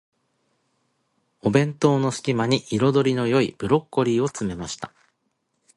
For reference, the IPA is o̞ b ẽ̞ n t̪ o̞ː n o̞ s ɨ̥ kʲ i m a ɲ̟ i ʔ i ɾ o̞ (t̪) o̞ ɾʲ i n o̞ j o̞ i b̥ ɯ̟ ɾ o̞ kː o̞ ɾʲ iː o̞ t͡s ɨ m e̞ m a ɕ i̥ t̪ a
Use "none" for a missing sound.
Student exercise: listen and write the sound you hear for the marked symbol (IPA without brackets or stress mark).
d̪